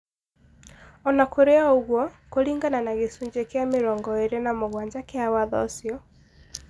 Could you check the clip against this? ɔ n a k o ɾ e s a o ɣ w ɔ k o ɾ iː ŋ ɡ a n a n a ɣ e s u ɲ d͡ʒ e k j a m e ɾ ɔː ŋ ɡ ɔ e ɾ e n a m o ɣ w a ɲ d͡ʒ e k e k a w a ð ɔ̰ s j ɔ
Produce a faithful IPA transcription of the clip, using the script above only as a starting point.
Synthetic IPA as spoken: ɔ n a k o ɾ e a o ɣ w ɔ k o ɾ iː ŋ ɡ a n a n a ɣ e s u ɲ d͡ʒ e k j a m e ɾ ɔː ŋ ɡ ɔ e ɾ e n a m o ɣ w a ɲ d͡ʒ a k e a w a ð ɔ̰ s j ɔ

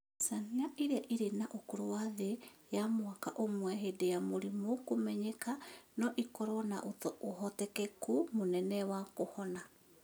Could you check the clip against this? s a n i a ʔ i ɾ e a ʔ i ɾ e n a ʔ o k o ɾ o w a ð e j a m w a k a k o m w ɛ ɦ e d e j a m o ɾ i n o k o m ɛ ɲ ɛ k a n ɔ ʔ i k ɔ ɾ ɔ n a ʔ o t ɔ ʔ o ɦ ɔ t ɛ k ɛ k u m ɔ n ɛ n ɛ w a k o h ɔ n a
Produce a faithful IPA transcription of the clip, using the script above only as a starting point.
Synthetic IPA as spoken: s a n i a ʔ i ɾ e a ʔ i ɾ e n a ʔ o k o ɾ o w a ð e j a m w a k a ʔ o m w ɛ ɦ e d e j a m o ɾ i m o k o m ɛ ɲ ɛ k a n ɔ ʔ i k ɔ ɾ ɔ n a ʔ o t ɔ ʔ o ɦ ɔ t ɛ k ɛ k u m o n ɛ n ɛ w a k o h ɔ n a

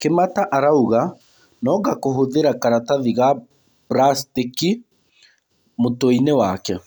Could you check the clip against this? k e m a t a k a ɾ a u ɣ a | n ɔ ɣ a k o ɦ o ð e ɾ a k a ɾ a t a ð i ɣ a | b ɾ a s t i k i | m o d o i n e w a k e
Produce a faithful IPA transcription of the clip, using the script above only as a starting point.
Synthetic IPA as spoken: k e m a t a ʔ a ɾ a u ɣ a | n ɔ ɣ a k o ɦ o ð e ɾ a k a ɾ a t a ð i ɣ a | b ɾ a s t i k i | m o t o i n e w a k ɛ

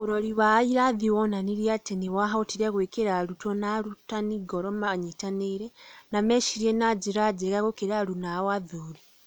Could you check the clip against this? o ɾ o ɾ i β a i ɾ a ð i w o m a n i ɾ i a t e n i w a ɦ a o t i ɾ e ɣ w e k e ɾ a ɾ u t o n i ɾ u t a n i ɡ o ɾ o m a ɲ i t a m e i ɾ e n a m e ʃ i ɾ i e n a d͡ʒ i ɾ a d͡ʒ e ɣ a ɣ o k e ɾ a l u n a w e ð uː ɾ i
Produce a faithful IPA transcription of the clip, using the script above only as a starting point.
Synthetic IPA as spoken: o ɾ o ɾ i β a i ɾ a ð i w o n a n i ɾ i a t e n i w a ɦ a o t i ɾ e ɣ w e k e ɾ a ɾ u t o n a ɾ u t a n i ɡ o ɾ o m a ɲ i t a n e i ɾ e n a m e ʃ i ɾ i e n a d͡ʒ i ɾ a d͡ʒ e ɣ a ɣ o k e ɾ a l u n a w a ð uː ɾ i

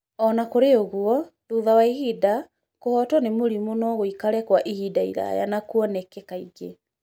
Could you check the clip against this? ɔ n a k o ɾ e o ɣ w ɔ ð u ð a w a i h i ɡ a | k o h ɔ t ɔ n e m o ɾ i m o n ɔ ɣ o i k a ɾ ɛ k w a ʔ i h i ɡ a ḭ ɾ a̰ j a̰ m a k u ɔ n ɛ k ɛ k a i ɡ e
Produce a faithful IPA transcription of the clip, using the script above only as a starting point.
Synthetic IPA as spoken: ɔ n a k o ɾ e o ɣ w ɔ ð u ð a w a i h i d a | k o h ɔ t ɔ n e m o ɾ i m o n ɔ ɣ o i k a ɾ ɛ k w a ʔ i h i d a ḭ ɾ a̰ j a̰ n a k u ɔ n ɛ k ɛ k a i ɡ e

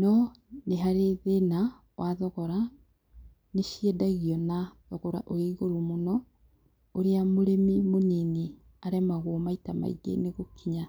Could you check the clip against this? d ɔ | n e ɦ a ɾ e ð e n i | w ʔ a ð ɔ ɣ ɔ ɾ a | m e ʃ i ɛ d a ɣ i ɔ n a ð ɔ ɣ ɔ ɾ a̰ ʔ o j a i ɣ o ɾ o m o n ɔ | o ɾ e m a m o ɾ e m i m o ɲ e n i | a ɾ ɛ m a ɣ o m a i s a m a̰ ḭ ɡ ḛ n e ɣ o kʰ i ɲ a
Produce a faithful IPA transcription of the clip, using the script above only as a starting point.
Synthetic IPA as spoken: n ɔ | n e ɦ a ɾ e ð e n a | w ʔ a ð ɔ ɣ ɔ ɾ a | n e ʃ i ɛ d a ɣ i ɔ n a ð ɔ ɣ ɔ ɾ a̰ ʔ o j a i ɣ o ɾ o m o n ɔ | o ɾ e a m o ɾ e m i m o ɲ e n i | a ɾ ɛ m a ɣ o m a i t a m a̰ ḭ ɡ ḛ n e ɣ o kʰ i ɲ a

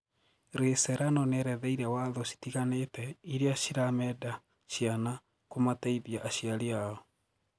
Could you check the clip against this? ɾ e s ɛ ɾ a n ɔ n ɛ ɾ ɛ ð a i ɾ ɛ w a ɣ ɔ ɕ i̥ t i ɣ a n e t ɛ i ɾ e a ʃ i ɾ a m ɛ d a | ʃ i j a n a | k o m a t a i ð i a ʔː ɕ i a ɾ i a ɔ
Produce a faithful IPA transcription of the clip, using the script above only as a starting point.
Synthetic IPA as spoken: ɾ e s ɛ ɾ a n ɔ n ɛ ɾ ɛ ð ɛ i ɾ ɛ w a ð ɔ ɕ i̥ t i ɣ a n e t ɛ i ɾ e a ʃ i ɾ a m ɛ d a | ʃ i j a n a | k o m a t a i ð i a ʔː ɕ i a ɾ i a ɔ

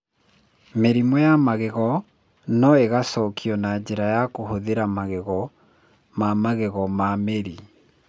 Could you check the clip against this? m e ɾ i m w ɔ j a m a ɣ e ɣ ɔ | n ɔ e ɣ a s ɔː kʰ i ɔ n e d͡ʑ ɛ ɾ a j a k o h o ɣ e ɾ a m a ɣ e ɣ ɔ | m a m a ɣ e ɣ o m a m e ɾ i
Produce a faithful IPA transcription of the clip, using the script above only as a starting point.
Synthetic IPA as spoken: m e ɾ i m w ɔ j a m a ɣ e ɣ ɔ | n ɔ e ɣ a s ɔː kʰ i ɔ n a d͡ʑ e ɾ a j a k o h o ð e ɾ a m a ɣ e ɣ ɔ | m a m a ɣ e ɣ ɔ m a m e ɾ i

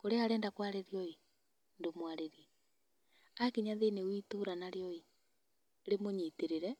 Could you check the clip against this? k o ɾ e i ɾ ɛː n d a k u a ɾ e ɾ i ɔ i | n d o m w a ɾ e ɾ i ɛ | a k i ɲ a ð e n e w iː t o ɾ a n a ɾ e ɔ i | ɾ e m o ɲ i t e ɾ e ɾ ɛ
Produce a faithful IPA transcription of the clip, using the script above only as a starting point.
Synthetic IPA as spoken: k o ɾ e a ɾ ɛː n d a k w a ɾ e ɾ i ɔ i | n d o m w a ɾ e ɾ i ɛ | a k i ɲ a ð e n e w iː t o ɾ a n a ɾ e ɔ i | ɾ e m o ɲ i t e ɾ e ɾ ɛ

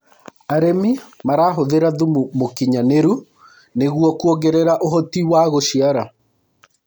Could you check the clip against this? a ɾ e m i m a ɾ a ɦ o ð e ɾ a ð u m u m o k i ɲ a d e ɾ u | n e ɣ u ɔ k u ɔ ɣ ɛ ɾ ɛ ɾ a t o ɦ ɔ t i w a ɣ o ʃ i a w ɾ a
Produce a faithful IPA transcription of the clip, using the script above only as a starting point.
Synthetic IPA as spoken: a ɾ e m i m a ɾ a ɦ o ð e ɾ a ð u m u m o k i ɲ a n e ɾ u | n e ɣ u ɔ k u ɔ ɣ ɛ ɾ ɛ ɾ a ʔ o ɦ ɔ t i w a ɣ o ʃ i a ɾ a

